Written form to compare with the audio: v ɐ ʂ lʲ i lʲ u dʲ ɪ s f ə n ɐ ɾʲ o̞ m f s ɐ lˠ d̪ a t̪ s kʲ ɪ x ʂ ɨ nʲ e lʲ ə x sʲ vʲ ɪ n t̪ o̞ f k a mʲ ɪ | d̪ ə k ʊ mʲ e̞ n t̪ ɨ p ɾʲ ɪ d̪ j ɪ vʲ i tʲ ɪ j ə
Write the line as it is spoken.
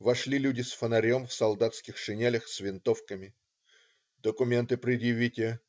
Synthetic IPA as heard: v ɐ ʂ lʲ i lʲ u dʲ ɪ s f ə n ɐ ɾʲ o̞ m f s ɐ lˠ d̪ a t̪ s kʲ ɪ x ʂ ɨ nʲ e lʲ ə x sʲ vʲ ɪ n t̪ o̞ f k ə mʲ ɪ | d̪ ə k ʊ mʲ e̞ n t̪ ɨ p ɾʲ ɪ d̪ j ɪ vʲ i tʲ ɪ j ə